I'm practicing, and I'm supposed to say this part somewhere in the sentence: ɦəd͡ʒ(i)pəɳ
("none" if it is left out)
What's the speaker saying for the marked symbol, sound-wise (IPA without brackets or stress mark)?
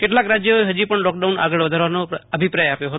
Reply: i